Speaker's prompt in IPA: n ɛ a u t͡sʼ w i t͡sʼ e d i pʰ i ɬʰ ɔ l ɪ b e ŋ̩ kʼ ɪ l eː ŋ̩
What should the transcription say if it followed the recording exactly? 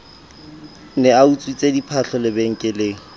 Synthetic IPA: n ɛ a u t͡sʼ w i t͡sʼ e d i pʰ a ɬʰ ɔ l ɪ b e ŋ̩ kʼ ɪ l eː ŋ̩